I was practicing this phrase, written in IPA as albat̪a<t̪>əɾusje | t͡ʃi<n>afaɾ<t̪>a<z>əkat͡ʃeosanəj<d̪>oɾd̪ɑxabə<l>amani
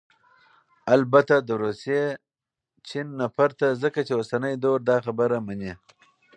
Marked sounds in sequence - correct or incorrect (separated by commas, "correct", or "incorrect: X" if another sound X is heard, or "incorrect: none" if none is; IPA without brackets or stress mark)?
incorrect: d̪, incorrect: nː, correct, correct, correct, incorrect: ɾ